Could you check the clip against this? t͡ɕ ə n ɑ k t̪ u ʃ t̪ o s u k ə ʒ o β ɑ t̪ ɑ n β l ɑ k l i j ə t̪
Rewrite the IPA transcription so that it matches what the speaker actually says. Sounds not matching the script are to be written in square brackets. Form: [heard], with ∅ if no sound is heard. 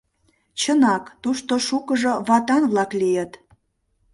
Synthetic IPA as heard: t͡ɕ ə n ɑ k t̪ u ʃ t̪ o [ʃ] u k ə ʒ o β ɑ t̪ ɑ n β l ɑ k l i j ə t̪